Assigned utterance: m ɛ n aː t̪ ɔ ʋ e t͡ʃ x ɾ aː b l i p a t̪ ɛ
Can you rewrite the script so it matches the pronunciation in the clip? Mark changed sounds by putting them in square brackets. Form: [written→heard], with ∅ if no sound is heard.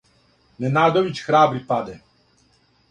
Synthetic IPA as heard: [m→n] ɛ n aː [t̪→d̪] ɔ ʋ [e→i] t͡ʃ x ɾ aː b [l→ɾ] i p a [t̪→d̪] ɛ